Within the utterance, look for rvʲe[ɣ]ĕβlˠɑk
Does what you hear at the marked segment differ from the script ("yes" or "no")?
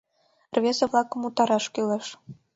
yes